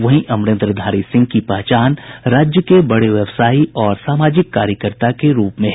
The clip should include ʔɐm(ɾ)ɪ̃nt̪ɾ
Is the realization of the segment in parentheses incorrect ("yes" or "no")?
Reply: no